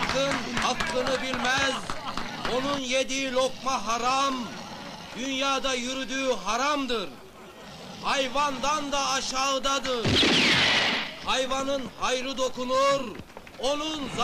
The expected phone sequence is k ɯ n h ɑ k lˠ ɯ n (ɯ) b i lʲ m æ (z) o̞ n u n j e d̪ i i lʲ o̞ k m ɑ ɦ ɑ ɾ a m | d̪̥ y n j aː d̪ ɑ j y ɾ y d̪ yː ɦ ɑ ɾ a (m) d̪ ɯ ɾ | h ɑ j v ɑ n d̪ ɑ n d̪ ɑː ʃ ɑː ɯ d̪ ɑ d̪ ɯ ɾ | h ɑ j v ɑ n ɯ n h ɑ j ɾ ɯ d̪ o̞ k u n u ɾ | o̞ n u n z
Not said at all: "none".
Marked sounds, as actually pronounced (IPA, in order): ɯ, z, m

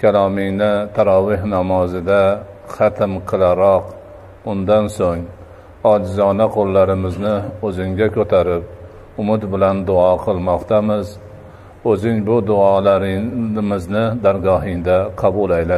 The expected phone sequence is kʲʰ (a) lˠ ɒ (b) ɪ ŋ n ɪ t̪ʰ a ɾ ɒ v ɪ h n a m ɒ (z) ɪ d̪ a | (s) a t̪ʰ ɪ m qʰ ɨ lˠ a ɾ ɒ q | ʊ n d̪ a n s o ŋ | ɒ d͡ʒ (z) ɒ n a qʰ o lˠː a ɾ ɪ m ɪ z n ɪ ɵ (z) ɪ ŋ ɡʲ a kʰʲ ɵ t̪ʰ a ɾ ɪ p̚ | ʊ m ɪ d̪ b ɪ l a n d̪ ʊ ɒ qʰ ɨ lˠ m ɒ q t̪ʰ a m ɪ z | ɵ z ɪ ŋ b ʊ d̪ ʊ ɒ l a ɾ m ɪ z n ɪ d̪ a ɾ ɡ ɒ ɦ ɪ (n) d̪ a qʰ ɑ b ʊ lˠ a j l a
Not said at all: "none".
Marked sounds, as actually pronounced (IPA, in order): a, m, z, χ, z, z, ŋ

